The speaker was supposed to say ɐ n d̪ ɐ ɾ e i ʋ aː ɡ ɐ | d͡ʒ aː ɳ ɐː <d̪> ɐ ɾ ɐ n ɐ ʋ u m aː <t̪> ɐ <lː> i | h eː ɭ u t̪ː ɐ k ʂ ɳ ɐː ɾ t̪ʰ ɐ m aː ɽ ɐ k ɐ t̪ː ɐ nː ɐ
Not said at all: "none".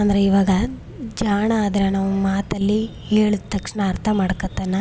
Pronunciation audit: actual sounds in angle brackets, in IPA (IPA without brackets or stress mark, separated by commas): d̪, t̪, lː